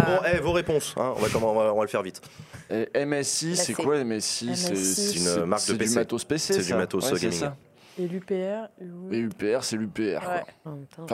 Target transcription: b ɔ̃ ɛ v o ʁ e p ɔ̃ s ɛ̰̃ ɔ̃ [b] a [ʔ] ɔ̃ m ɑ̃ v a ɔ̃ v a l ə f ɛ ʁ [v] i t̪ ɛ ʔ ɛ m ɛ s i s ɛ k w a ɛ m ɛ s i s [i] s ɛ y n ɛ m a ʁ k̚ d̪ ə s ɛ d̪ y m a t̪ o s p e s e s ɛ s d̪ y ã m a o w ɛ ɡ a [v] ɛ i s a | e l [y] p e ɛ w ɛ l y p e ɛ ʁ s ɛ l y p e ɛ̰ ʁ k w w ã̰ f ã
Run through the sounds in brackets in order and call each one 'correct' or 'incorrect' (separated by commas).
incorrect, incorrect, correct, incorrect, incorrect, correct